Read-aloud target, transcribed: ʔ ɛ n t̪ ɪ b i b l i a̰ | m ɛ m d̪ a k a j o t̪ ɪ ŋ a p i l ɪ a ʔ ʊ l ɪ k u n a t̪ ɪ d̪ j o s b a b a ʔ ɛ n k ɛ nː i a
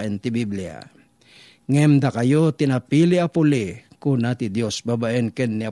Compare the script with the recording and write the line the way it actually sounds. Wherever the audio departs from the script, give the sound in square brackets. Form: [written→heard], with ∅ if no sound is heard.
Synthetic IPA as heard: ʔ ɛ n t̪ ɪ b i b l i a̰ | [m→ŋ] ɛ m d̪ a k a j o t̪ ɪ [ŋ→n] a p i l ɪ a [ʔ→p] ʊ l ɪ k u n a t̪ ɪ d̪ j o s b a b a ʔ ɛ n k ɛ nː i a